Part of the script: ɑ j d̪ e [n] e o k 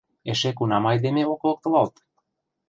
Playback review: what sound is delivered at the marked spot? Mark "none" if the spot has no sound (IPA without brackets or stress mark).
m